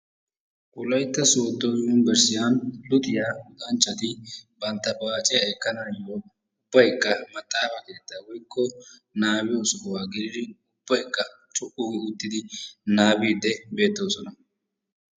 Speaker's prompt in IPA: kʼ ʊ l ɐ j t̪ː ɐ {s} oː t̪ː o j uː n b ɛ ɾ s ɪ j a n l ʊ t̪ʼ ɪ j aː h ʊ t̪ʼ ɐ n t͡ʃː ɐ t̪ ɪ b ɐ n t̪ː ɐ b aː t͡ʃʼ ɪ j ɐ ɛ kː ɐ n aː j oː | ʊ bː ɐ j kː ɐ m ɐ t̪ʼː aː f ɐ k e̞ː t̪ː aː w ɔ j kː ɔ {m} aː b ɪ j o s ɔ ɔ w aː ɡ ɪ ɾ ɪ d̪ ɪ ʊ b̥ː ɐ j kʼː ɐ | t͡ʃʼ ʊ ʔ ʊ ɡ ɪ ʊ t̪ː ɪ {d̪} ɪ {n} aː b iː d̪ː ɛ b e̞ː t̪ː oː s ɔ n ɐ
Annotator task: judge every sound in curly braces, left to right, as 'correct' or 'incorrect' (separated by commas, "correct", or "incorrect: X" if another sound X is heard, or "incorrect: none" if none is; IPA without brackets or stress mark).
correct, incorrect: n, correct, correct